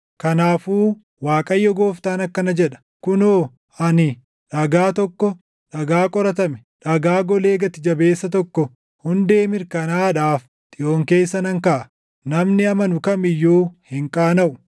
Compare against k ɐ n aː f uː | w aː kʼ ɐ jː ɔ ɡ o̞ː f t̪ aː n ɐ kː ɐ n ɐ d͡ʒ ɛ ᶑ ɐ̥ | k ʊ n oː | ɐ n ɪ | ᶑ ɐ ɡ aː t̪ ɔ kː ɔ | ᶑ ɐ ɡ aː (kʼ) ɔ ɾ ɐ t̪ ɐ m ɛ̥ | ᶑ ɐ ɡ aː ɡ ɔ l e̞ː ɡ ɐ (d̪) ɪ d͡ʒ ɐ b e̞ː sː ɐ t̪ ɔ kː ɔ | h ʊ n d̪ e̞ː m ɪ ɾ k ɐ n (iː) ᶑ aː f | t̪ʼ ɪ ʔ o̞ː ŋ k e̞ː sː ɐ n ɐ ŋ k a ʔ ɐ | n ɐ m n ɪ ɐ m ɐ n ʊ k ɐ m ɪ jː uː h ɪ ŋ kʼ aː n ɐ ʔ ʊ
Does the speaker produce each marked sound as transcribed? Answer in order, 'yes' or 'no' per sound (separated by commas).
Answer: yes, no, no